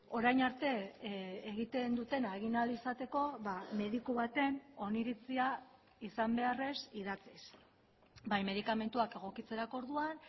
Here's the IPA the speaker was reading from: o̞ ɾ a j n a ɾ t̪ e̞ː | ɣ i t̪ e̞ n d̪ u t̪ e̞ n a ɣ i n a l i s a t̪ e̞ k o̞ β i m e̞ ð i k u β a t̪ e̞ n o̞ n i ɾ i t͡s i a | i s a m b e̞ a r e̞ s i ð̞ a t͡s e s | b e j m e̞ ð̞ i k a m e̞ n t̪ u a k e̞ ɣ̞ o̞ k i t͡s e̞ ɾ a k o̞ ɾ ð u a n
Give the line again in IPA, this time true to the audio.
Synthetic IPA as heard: o̞ ɾ a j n a ɾ t̪ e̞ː | ɣ i t̪ e̞ n d̪ u t̪ e̞ n a ɣ i n a l i s a t̪ e̞ k o̞ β a m e̞ ð i k u β a t̪ e̞ n o̞ n i ɾ i t͡s i a | i s a m b e̞ a r e̞ s i ð̞ a t͡s i s | b a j m e̞ ð̞ i k a m e̞ n t̪ u a k e̞ ɣ̞ o̞ k i t͡s e̞ ɾ a k o̞ ɾ ð u a n